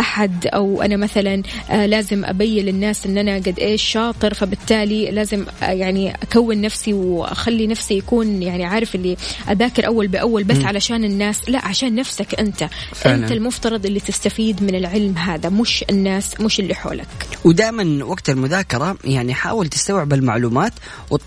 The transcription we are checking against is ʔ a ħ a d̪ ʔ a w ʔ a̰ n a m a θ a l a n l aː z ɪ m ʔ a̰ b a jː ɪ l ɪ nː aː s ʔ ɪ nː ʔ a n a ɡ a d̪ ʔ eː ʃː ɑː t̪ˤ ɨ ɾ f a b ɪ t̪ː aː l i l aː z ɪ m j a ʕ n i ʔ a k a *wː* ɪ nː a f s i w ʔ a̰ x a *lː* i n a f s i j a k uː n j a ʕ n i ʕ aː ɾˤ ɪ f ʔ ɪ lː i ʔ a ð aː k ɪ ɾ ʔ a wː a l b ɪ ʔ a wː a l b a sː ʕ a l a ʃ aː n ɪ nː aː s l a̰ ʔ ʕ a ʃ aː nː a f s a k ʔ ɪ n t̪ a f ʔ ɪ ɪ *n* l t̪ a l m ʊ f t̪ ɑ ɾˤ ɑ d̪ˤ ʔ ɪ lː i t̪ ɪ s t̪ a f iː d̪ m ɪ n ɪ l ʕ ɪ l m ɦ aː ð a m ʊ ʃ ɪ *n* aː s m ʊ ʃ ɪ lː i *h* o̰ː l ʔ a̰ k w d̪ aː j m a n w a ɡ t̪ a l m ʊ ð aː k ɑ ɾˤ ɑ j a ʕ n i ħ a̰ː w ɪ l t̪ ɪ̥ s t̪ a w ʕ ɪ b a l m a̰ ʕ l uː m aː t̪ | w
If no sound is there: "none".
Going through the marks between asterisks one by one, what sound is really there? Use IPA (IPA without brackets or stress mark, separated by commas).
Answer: wː, lː, n, nː, ħ